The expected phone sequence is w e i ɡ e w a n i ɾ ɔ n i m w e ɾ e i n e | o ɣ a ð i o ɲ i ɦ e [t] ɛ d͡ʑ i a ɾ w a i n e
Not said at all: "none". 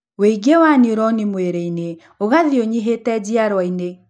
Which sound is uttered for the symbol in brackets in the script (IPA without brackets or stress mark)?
t